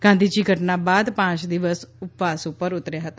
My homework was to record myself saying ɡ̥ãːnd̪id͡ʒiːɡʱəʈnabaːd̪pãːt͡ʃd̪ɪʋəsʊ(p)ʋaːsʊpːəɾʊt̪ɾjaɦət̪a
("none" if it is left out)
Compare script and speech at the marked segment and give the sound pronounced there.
p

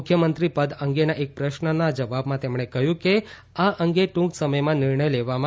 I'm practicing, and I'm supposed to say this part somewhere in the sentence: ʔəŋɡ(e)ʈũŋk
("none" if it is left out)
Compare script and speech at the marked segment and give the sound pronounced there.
e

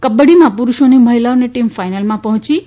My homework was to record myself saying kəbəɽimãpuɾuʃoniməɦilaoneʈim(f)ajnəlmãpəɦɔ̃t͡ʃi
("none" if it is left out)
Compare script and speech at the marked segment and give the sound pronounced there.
f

